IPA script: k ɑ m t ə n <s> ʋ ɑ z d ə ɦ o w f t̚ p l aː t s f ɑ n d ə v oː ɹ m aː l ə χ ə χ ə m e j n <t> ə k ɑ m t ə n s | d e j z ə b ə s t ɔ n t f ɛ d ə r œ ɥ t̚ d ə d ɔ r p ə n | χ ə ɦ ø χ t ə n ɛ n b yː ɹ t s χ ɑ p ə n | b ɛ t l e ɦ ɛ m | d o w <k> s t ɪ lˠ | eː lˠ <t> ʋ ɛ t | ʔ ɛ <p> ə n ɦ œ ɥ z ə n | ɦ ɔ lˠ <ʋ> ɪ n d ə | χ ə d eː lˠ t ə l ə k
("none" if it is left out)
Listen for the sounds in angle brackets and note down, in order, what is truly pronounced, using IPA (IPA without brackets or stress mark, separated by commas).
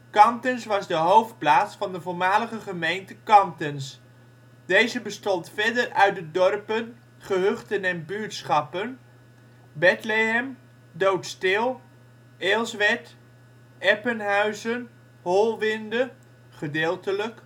s, t, t, s, p, ʋ